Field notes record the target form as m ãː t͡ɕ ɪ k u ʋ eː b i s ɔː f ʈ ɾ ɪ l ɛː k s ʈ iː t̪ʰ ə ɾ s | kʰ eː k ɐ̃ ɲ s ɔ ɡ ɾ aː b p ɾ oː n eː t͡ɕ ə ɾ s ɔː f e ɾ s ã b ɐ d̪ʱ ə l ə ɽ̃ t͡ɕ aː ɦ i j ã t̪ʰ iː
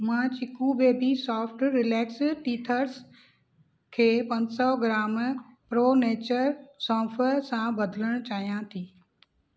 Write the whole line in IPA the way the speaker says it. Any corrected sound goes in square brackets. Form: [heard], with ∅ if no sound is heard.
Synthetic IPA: m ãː t͡ɕ ɪ k u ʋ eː b i s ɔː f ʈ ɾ ɪ l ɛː k s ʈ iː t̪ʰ ə ɾ s | kʰ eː [p] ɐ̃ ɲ s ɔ ɡ ɾ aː [m] p ɾ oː n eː t͡ɕ ə ɾ s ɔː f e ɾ s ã b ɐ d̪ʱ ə l ə ɽ̃ t͡ɕ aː ɦ i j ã t̪ʰ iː